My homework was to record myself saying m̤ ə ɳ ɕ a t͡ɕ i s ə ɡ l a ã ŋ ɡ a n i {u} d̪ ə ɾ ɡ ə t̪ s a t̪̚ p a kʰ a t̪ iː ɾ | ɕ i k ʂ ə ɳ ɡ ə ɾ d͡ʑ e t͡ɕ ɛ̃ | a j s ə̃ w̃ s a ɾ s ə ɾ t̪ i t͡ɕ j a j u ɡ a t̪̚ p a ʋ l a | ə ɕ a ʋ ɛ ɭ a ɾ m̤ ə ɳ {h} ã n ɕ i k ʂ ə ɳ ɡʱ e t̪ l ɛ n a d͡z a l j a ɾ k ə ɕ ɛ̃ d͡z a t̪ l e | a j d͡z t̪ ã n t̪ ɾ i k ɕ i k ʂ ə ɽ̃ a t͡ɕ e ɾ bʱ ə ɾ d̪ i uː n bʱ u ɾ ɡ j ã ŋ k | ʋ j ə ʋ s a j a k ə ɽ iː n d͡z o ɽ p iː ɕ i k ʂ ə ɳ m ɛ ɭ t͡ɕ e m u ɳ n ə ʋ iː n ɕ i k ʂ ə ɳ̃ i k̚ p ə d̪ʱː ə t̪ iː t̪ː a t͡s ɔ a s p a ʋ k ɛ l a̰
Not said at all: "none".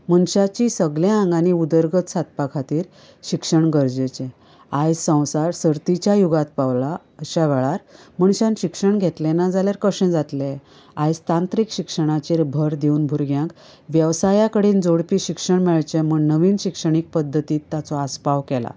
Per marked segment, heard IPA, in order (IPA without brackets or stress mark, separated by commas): u, ɕ